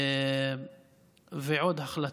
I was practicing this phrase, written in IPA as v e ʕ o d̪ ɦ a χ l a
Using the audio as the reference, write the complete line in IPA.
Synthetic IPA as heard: v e ʕ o d̪ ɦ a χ l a